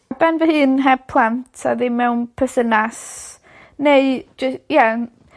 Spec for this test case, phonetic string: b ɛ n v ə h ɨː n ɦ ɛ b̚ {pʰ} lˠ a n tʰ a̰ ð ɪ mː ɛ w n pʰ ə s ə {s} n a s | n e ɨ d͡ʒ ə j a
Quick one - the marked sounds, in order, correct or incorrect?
correct, incorrect

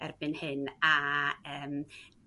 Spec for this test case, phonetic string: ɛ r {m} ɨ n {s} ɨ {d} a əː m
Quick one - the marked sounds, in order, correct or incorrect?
incorrect, incorrect, incorrect

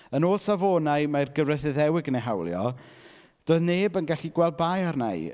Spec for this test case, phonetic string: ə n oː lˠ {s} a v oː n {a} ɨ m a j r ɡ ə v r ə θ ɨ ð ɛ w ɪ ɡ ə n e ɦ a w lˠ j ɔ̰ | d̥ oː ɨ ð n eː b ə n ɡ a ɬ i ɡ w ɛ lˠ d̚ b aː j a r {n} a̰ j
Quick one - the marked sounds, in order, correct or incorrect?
correct, correct, correct

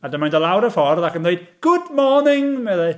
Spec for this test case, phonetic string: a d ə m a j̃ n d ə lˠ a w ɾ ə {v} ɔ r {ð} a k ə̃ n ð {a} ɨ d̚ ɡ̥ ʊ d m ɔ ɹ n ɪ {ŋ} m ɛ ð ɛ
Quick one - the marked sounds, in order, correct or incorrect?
incorrect, correct, incorrect, correct

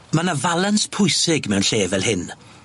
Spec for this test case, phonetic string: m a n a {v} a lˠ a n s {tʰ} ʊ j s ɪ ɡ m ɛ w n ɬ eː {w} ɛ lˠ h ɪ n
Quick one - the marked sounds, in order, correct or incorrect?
correct, incorrect, incorrect

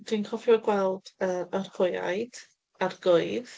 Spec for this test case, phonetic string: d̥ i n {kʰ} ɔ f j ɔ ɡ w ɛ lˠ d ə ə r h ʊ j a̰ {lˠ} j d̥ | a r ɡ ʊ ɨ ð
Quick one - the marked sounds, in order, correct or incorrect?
correct, incorrect

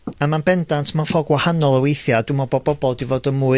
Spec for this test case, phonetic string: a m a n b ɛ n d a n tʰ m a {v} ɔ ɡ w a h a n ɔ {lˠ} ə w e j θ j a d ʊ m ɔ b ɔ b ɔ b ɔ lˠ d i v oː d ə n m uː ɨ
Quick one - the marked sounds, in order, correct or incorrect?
incorrect, correct

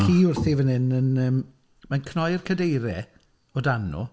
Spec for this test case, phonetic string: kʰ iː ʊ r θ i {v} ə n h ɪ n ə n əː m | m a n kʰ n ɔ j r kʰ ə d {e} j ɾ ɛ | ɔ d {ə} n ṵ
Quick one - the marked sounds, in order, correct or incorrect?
correct, correct, incorrect

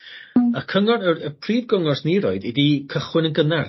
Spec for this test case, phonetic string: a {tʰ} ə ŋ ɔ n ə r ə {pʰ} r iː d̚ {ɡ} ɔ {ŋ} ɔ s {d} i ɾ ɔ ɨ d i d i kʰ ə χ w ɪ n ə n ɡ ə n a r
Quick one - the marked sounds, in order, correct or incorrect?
incorrect, correct, correct, correct, incorrect

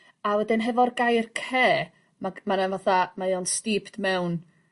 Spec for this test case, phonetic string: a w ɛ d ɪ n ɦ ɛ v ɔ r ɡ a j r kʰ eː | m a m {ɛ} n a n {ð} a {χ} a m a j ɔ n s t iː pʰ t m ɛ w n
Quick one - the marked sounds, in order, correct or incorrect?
incorrect, incorrect, incorrect

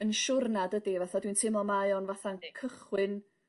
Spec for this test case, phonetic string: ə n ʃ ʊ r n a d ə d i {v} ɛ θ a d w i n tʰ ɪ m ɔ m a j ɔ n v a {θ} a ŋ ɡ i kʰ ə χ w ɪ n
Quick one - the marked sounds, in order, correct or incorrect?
correct, correct

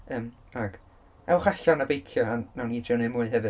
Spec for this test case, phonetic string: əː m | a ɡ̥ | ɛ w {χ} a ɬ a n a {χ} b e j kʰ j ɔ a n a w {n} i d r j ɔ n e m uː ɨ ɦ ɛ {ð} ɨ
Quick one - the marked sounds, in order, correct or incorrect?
correct, incorrect, correct, incorrect

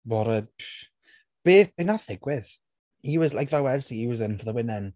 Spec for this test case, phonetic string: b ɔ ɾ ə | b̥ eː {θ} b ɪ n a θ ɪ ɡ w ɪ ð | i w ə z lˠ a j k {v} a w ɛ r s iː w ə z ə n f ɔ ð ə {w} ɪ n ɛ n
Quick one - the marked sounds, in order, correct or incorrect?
correct, correct, correct

